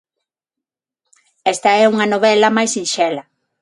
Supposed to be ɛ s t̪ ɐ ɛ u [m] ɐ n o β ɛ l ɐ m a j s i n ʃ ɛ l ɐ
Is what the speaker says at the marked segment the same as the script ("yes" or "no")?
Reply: no